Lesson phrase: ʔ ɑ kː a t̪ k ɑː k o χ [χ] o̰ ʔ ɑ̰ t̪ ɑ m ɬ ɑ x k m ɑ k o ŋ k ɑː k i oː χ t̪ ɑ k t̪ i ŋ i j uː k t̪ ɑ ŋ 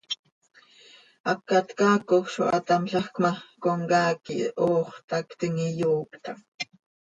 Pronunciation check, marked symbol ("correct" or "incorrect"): incorrect